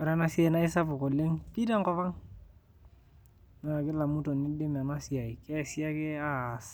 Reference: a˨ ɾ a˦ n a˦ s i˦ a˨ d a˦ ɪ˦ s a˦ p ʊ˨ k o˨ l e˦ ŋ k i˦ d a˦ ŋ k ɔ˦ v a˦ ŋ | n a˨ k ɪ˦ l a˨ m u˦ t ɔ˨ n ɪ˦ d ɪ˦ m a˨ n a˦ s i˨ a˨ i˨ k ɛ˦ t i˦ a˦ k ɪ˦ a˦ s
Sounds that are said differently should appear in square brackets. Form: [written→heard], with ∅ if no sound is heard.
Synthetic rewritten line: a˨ ɾ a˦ n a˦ s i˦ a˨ [d→n] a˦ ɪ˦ s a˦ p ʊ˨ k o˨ l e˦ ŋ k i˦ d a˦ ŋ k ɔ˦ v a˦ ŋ | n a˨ k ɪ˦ l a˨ m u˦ t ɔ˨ n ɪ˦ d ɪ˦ m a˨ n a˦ s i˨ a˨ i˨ k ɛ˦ [t→s] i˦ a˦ k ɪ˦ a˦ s